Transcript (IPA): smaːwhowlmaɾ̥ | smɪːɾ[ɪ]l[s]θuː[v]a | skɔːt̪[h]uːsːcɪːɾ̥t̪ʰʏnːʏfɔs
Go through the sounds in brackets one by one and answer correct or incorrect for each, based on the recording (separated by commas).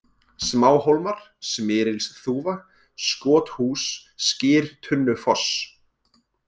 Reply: correct, correct, correct, correct